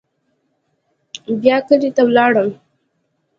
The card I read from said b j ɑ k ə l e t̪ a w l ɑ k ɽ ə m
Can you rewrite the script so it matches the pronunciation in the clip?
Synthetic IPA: b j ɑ k ə l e t̪ a w l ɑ ɽ ə m